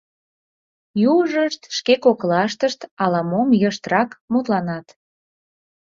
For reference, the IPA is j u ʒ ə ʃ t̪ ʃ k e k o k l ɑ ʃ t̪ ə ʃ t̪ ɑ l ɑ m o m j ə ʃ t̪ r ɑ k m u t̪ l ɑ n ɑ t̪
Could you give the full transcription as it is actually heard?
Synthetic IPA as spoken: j u ʒ ə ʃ t̪ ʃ k e k o k l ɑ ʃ t̪ ə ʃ t̪ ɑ l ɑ m o m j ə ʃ t̪ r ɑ k m u t̪ l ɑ n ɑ t̪